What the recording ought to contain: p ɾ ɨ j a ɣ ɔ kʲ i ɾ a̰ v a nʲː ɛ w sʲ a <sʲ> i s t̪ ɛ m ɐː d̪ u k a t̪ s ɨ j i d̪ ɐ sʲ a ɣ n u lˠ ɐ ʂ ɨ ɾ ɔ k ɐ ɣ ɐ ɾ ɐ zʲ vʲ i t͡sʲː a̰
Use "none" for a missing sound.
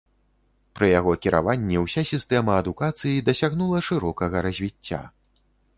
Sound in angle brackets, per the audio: sʲ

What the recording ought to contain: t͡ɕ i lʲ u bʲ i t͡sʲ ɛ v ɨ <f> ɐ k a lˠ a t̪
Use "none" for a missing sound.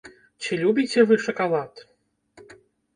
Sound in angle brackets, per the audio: ʂ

